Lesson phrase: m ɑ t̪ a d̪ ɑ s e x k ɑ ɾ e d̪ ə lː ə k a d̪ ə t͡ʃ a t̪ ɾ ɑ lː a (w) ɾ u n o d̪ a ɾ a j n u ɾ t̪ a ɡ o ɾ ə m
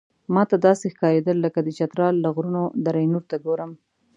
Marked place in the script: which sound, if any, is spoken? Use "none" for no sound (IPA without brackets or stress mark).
ɣ